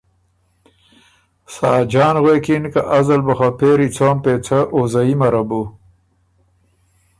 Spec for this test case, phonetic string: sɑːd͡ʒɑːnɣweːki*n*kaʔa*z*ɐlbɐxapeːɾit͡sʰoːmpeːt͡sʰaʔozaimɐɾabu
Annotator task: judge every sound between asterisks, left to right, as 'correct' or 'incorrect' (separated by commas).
correct, correct